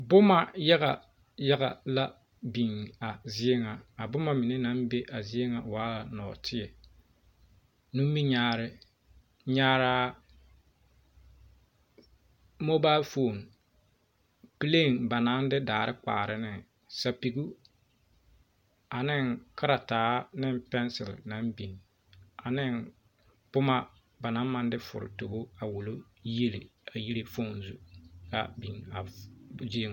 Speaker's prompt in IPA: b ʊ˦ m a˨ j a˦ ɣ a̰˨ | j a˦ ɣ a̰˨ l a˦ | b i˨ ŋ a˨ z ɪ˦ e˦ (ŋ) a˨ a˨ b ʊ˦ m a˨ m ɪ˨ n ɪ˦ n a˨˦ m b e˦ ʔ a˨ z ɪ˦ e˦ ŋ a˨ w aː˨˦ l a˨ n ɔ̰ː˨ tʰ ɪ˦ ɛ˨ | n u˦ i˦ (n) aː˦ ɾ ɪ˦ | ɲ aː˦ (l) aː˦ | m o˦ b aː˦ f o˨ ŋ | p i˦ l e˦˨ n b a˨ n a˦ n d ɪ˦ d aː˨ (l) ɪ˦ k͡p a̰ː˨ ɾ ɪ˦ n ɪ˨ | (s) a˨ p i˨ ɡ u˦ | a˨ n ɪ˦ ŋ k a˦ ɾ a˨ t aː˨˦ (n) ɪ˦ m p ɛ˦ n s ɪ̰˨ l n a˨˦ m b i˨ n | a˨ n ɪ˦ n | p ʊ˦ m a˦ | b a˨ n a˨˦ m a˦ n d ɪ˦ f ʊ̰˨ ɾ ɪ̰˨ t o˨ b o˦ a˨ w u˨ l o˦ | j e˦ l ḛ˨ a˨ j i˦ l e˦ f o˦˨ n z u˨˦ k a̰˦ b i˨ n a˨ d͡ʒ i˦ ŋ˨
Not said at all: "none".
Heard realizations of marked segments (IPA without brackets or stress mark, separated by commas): ŋ, ɲ, ɾ, ɾ, s, n